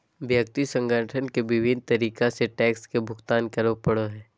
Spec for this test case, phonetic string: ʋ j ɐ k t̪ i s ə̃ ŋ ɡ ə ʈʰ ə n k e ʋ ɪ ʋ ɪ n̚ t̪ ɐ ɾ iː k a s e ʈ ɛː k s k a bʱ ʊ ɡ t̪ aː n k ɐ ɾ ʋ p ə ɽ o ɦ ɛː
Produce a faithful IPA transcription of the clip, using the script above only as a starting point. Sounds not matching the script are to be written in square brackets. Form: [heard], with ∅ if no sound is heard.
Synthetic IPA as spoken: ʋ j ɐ k t̪ i s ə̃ ŋ ɡ ə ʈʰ ə n k e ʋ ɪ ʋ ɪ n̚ t̪ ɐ ɾ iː k a s e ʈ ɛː k s k [e] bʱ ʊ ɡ t̪ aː n k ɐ ɾ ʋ p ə ɽ o ɦ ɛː